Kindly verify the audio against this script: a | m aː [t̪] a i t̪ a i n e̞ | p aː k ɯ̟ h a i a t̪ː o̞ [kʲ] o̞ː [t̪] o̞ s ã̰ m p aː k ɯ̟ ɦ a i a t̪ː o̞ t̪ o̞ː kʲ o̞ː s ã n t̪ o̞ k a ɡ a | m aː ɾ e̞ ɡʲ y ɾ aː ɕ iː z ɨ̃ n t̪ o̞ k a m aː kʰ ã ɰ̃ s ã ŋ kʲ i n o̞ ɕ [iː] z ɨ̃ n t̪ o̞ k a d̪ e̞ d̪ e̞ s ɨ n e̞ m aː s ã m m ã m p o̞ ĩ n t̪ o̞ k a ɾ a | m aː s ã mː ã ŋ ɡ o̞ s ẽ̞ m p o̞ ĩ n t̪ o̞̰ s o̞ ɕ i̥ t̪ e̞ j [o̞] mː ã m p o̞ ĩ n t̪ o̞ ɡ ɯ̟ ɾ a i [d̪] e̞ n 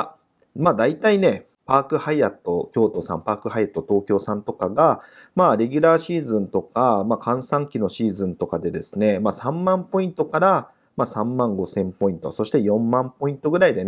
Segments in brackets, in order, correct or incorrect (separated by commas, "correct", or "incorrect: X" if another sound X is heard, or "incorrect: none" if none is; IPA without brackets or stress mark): incorrect: d̪, correct, correct, correct, incorrect: õ̞, correct